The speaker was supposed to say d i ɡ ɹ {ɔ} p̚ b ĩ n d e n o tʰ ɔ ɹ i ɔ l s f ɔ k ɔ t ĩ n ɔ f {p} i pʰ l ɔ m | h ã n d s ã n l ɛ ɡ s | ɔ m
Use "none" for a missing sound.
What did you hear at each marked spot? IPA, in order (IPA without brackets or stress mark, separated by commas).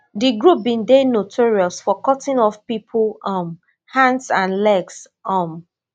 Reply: u, p